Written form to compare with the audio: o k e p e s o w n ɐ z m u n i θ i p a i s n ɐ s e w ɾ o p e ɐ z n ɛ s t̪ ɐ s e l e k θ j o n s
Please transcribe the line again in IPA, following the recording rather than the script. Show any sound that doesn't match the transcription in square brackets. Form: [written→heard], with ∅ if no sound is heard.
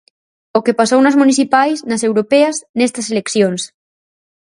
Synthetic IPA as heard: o k e p [e→a] s o w n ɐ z m u n i θ i p a [i→j] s n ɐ s e w ɾ o p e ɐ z n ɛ s t̪ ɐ s e l e k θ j o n s